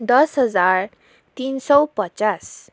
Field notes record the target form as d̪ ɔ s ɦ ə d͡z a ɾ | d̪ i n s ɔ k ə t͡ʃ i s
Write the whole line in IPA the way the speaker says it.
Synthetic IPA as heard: d̪ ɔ s ɦ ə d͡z a ɾ | t̪ i n s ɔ p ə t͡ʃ a s